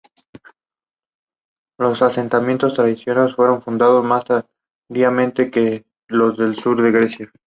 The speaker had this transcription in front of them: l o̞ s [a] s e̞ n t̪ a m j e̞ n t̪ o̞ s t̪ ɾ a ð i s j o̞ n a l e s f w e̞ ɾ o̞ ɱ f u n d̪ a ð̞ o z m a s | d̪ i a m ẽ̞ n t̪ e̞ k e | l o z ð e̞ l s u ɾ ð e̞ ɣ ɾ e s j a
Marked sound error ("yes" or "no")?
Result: no